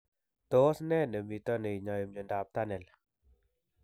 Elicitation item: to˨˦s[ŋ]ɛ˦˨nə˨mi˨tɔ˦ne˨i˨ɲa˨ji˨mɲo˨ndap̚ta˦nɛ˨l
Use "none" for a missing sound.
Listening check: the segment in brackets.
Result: n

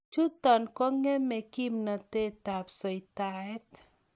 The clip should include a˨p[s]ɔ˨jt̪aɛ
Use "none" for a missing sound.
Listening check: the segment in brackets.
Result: s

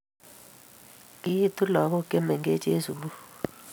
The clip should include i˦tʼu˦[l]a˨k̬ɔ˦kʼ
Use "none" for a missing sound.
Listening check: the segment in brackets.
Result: l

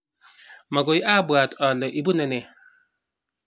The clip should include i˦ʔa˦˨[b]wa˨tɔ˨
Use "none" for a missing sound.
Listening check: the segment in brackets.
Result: b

